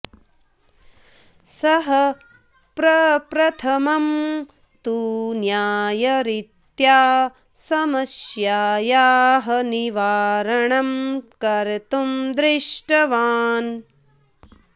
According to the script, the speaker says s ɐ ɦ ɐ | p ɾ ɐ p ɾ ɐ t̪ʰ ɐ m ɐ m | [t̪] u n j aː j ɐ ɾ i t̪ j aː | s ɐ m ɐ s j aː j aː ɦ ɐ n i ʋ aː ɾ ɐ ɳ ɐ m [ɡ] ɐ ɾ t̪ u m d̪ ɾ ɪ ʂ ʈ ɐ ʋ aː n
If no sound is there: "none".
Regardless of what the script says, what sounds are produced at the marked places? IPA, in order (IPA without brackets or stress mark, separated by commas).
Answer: t̪, k